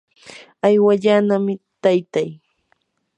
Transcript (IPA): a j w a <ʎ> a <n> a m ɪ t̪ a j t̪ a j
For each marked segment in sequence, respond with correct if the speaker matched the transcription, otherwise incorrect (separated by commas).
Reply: correct, correct